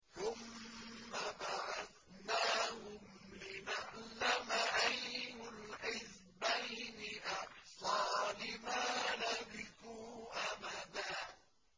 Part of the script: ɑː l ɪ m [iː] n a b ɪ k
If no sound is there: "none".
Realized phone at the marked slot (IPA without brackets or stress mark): aː